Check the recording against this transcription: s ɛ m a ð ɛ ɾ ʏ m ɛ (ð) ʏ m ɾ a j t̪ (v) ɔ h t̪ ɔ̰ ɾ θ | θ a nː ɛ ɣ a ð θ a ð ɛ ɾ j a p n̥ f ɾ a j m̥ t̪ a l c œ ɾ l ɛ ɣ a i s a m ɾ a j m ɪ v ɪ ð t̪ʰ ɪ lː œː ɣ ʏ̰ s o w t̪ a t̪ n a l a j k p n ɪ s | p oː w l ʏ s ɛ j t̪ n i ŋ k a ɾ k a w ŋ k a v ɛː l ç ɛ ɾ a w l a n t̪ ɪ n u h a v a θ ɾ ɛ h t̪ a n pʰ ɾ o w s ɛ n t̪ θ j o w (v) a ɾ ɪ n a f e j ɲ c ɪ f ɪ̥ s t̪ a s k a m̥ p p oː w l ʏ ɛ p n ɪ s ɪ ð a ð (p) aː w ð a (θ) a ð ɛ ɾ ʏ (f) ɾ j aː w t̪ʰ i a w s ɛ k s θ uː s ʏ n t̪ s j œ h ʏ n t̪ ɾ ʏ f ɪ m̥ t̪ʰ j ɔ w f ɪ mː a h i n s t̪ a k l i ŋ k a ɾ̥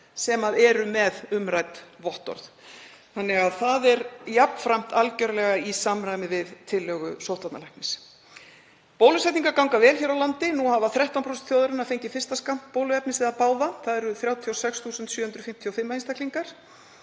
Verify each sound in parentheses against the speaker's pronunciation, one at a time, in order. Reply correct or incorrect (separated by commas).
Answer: correct, correct, incorrect, correct, correct, incorrect